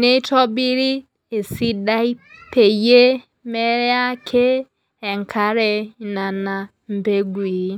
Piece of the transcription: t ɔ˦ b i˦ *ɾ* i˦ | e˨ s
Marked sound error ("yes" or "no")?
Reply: no